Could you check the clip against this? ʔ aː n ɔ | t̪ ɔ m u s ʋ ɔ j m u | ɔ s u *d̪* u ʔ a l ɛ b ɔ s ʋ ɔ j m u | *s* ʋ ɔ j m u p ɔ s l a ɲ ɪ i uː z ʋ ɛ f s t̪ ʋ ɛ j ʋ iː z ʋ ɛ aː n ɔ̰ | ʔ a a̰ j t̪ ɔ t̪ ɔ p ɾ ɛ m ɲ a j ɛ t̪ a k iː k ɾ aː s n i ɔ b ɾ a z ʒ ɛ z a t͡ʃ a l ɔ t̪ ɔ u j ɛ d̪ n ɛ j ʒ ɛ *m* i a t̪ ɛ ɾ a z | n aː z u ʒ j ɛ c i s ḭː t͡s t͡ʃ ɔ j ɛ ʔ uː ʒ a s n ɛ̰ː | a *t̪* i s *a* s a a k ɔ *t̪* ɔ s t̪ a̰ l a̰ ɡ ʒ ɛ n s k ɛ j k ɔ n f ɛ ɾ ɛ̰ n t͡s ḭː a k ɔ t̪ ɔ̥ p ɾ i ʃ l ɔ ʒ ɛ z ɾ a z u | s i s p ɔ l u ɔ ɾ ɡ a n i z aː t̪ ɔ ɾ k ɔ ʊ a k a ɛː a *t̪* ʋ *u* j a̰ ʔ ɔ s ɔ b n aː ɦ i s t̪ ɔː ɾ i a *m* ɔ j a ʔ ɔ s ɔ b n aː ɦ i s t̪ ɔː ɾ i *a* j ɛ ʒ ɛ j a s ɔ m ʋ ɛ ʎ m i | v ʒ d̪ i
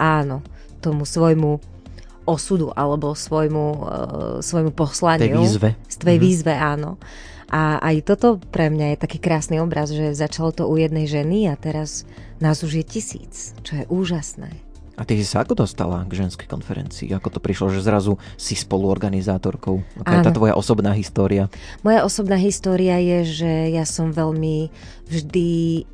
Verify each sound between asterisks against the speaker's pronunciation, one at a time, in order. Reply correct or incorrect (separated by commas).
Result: correct, correct, incorrect, correct, incorrect, incorrect, correct, incorrect, correct, correct